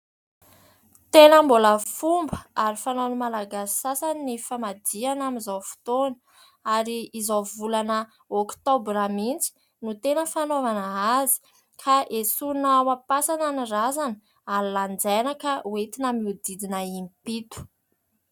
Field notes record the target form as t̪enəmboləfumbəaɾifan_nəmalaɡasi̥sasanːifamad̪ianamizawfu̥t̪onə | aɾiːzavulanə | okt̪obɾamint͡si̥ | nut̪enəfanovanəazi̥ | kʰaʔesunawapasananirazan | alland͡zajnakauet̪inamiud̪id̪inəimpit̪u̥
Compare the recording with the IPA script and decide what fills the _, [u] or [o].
o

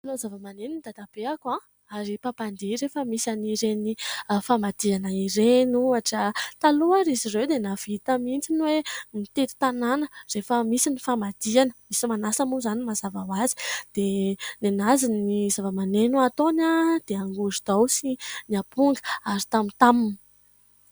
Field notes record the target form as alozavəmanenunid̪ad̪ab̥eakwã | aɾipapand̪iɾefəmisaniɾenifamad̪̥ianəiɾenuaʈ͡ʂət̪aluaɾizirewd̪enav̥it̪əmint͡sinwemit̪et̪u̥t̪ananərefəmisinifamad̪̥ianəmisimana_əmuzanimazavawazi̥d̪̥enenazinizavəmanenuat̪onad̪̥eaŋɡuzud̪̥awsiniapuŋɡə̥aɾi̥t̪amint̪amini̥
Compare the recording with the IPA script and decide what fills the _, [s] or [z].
s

